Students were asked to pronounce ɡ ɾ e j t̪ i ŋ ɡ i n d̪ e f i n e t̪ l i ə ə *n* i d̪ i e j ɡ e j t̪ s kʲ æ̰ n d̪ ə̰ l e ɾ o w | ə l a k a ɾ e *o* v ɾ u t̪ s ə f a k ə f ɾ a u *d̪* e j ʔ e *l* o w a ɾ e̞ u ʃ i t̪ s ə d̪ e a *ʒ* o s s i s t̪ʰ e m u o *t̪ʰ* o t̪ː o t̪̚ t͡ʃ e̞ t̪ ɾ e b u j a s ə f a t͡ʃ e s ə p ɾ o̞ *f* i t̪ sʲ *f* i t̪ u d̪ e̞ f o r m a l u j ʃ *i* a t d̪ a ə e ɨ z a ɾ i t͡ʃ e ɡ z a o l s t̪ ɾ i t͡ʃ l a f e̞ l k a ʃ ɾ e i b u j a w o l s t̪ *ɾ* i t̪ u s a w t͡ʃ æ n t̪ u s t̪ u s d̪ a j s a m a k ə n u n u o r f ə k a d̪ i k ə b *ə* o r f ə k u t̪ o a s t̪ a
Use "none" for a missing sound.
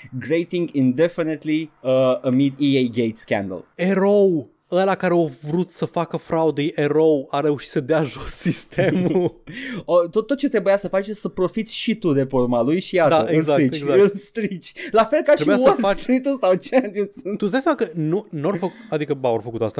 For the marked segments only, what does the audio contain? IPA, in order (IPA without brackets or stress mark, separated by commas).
m, o, d̪, ɾ, ʒ, t̪, f, ʃ, i, ɾ, a